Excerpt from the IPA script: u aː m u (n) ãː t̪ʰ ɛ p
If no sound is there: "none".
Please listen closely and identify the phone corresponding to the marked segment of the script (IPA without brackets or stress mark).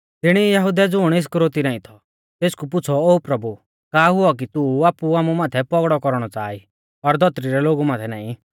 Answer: m